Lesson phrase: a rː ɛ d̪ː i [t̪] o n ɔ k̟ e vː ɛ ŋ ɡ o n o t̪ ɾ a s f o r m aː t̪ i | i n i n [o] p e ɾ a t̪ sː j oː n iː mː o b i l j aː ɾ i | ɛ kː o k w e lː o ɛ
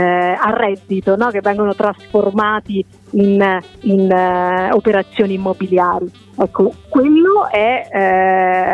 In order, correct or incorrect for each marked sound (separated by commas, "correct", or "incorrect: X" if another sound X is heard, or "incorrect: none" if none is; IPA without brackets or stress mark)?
correct, correct